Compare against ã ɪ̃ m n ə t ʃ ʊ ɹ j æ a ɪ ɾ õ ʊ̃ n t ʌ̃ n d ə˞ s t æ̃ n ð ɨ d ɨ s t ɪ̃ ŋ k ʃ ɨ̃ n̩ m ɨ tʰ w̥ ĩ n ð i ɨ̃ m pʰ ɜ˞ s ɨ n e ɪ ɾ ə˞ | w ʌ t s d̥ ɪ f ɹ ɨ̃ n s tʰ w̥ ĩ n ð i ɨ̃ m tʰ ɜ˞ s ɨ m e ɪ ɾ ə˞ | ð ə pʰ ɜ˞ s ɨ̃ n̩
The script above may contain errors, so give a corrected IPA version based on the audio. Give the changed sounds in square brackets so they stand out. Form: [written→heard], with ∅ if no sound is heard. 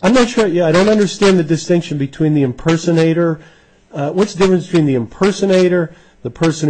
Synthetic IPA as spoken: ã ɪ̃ m n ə t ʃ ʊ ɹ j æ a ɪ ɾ õ ʊ̃ n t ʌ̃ n d ə˞ s t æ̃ n ð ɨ d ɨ s t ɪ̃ ŋ k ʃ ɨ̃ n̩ [m→b] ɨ tʰ w̥ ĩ n ð i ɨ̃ m pʰ ɜ˞ s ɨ n e ɪ ɾ ə˞ | w ʌ t s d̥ ɪ f ɹ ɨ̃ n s tʰ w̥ ĩ n ð i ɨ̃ m [tʰ→pʰ] ɜ˞ s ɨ [m→n] e ɪ ɾ ə˞ | ð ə pʰ ɜ˞ s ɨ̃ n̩